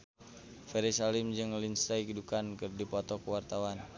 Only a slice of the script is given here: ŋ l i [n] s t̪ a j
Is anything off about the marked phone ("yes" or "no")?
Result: no